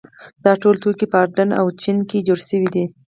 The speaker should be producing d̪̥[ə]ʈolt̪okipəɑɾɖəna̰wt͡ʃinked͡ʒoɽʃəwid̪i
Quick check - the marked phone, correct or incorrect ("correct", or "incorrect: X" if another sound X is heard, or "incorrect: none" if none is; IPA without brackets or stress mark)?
incorrect: ɑ